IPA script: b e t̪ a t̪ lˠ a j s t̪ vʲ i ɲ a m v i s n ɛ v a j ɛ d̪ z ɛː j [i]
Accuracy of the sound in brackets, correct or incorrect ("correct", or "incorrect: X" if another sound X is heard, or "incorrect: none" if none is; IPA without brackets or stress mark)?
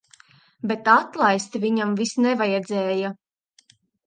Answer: incorrect: a